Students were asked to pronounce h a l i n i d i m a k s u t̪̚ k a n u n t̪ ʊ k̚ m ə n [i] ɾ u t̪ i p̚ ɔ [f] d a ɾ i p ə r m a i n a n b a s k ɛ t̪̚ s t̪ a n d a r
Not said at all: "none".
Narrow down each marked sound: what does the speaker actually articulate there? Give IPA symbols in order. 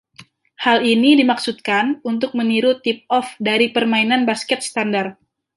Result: i, f

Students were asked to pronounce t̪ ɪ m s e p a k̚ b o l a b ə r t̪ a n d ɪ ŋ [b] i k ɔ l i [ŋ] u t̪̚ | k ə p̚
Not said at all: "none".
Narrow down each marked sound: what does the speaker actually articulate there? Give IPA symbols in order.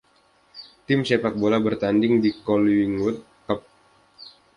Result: d, ŋ

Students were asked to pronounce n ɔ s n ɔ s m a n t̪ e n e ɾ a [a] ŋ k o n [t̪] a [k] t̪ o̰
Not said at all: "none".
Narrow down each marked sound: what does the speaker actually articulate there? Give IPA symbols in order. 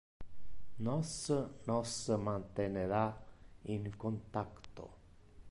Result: i, t̪, k

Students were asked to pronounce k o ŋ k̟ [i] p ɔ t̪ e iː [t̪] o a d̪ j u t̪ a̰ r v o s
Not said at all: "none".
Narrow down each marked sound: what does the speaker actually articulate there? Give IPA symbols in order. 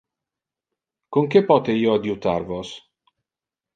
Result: e, none

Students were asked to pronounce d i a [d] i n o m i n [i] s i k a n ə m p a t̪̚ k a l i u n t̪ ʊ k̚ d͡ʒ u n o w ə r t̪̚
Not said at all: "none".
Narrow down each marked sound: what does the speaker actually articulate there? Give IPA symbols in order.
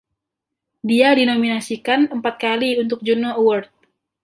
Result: d, a

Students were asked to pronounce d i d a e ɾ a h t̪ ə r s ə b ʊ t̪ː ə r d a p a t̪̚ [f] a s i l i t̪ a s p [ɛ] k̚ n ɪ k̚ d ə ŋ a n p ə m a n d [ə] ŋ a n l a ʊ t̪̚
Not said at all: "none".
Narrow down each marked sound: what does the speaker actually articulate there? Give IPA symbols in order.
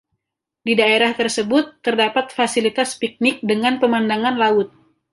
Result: f, i, a

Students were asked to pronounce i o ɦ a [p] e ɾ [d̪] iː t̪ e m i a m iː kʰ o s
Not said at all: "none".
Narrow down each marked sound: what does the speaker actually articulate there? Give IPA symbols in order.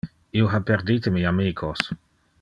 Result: p, d̪

